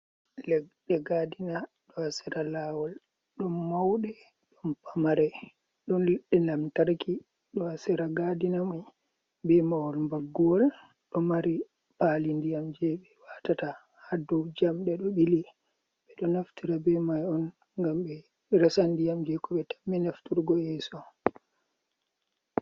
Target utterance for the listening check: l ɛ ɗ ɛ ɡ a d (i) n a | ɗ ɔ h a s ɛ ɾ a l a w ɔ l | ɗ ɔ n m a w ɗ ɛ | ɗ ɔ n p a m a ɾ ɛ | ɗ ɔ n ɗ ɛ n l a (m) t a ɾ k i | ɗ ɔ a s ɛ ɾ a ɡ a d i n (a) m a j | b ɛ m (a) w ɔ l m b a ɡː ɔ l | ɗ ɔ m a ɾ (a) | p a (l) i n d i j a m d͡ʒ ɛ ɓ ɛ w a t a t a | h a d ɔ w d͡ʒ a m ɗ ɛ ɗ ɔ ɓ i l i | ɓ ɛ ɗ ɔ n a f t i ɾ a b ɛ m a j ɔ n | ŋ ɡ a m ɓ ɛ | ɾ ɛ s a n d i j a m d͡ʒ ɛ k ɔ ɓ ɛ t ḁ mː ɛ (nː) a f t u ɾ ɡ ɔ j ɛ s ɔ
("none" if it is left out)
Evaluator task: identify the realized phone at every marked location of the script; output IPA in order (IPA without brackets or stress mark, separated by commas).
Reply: i, m, a, a, i, l, n